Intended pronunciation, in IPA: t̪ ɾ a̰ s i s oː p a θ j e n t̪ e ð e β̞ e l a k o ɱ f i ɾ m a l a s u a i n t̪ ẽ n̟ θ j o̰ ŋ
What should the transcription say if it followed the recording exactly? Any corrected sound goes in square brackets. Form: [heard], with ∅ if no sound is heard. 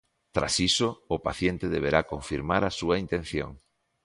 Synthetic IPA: t̪ ɾ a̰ s i s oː p a θ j e n t̪ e ð e β̞ e [ɾ] a k o ɱ f i ɾ m a [ɾ] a s u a i n t̪ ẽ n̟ θ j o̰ ŋ